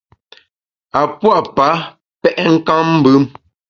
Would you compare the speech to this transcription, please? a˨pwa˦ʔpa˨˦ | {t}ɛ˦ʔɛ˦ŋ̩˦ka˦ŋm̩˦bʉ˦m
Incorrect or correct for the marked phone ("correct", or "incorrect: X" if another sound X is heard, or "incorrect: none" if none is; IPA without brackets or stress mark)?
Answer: incorrect: p